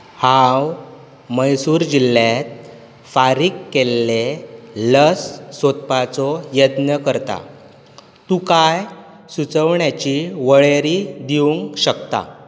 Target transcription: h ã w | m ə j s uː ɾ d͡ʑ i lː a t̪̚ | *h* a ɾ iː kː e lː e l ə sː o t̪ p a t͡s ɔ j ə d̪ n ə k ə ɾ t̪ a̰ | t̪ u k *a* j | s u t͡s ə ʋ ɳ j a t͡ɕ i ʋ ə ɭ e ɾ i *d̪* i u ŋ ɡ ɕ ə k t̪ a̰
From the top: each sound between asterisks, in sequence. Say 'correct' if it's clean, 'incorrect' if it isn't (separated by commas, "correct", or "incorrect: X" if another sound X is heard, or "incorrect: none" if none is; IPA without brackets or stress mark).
incorrect: f, correct, correct